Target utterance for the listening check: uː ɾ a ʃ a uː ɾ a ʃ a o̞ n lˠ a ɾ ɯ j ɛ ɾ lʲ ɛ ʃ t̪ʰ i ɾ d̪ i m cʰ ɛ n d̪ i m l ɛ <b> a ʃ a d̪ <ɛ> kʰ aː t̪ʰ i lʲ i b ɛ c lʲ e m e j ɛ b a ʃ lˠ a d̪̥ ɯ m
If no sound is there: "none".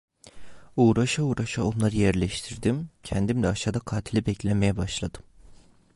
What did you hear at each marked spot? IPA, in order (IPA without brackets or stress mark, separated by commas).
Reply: none, a